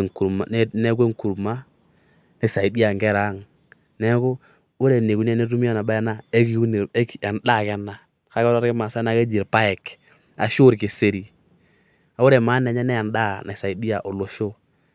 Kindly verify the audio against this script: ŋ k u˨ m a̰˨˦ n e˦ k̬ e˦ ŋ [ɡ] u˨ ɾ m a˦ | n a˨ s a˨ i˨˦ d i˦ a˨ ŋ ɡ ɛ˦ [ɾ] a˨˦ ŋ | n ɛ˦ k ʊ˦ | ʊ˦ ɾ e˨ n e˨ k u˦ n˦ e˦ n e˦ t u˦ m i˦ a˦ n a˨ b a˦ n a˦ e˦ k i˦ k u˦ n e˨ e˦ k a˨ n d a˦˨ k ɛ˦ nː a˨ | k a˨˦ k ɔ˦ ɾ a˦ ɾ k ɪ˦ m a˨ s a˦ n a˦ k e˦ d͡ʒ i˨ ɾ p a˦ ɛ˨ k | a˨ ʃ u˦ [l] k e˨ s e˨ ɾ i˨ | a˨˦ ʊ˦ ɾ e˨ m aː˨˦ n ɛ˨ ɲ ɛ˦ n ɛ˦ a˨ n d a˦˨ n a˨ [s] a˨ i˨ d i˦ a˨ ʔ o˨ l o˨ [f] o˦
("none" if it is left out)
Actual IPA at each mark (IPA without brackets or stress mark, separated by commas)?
k, ɾ, ɾ, s, ʃ